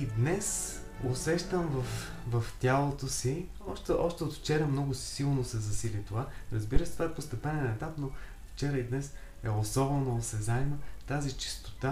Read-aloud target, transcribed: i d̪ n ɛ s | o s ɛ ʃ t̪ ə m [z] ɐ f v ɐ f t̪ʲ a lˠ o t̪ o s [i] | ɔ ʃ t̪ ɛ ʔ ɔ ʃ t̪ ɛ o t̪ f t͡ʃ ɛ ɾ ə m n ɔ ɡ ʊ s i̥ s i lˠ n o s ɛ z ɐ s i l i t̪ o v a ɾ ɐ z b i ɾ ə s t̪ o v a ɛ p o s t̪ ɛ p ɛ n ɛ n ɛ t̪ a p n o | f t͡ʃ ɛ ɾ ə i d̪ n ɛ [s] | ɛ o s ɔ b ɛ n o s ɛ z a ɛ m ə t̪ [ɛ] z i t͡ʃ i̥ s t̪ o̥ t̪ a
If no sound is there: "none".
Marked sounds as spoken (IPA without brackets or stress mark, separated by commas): v, i, s, a